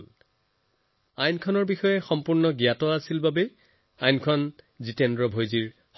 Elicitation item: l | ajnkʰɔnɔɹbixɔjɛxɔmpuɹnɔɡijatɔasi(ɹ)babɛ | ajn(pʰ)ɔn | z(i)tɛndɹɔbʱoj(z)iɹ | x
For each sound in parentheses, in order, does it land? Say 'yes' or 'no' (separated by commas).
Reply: no, no, yes, yes